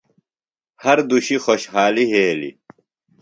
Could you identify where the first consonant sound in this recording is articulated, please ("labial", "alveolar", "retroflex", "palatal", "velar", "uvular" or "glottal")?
glottal